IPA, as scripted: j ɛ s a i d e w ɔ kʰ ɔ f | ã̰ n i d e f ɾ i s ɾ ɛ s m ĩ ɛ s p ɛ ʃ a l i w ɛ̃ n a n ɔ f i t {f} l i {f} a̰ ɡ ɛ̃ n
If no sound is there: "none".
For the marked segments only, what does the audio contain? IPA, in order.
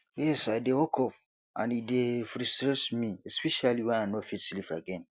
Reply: s, f

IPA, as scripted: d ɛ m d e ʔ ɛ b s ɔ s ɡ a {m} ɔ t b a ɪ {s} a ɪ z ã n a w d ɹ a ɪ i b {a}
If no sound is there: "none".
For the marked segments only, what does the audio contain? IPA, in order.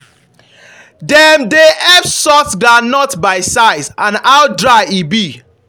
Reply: n, s, i

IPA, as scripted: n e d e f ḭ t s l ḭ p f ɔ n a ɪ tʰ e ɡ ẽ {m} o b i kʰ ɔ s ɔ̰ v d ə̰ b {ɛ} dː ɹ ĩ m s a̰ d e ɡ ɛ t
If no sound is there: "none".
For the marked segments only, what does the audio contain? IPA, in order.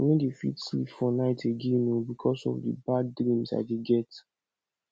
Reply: n, a

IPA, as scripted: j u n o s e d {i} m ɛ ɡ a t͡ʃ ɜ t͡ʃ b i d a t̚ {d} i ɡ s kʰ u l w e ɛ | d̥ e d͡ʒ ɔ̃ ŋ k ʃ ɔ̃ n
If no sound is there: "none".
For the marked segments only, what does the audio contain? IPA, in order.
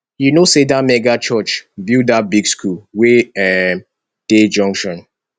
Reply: a, b

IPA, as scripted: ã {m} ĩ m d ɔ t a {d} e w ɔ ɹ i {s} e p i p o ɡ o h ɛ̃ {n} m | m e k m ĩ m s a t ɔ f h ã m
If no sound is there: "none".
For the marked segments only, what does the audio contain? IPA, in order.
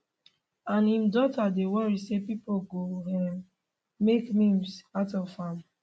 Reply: n, d, s, none

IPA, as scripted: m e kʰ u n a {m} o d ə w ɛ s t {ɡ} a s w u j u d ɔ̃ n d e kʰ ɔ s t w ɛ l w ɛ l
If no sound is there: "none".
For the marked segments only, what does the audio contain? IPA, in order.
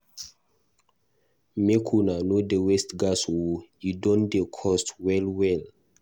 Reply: n, ɡ

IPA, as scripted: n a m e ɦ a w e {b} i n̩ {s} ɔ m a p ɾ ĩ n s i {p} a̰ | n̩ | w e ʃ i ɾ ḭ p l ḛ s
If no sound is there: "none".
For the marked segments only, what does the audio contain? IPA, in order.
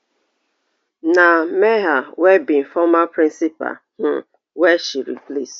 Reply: b, f, p

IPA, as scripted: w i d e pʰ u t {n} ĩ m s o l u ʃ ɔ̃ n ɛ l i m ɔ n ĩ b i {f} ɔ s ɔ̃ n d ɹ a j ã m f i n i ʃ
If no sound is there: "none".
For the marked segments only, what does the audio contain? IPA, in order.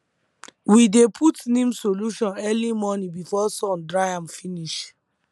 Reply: n, f

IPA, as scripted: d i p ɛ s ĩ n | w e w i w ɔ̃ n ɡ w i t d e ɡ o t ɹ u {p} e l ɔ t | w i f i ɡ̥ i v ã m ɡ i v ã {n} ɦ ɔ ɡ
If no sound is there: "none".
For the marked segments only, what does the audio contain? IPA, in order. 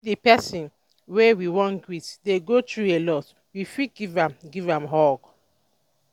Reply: none, m

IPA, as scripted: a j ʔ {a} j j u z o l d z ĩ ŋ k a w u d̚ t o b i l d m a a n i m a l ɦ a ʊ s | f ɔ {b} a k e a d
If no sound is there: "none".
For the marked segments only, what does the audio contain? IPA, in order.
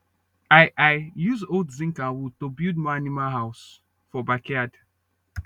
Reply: a, b

